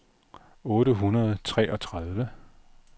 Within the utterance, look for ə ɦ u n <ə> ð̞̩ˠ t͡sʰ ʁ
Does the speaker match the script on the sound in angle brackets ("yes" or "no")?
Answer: no